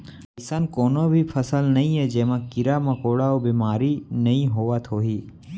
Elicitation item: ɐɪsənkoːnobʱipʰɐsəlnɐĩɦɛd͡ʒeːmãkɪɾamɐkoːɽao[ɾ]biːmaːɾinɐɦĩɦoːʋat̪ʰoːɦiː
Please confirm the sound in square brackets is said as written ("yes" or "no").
no